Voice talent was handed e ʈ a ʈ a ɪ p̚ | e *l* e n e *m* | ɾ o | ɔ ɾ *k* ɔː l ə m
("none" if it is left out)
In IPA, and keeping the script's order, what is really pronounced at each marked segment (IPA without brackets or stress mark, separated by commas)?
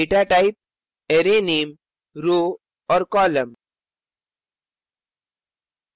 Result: ɾ, m, k